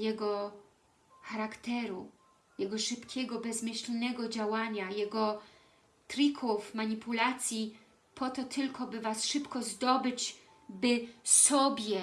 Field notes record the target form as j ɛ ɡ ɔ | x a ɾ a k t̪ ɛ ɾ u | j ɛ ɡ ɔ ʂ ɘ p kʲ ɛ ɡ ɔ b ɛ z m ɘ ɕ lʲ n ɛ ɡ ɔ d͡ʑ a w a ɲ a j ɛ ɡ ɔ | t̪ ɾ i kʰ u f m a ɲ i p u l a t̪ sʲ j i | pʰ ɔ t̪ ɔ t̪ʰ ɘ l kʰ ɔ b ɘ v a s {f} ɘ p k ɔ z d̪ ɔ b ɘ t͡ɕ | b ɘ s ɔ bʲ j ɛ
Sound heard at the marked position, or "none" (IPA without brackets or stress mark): ʂ